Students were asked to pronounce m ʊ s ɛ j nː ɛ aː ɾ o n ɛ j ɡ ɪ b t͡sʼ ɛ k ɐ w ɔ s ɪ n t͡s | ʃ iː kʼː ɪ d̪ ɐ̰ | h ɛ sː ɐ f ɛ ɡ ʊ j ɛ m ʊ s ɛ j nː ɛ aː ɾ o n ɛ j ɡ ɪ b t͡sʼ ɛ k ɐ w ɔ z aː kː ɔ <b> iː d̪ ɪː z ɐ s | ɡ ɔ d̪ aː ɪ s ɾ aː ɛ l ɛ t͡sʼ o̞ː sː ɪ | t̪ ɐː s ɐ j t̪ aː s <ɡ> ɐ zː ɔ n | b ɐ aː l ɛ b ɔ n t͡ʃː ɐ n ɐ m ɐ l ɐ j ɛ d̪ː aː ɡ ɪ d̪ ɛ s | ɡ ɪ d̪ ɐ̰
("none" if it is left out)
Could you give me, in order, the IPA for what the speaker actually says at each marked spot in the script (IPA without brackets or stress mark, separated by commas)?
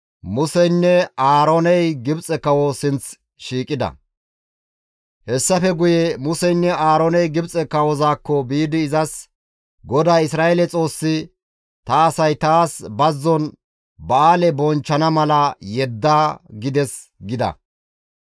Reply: b, b